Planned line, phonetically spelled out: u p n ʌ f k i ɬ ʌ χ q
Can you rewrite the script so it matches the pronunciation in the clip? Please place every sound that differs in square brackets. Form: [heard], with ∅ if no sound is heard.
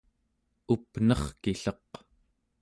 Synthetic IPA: u p n ʌ [χ] k i ɬ ʌ [∅] q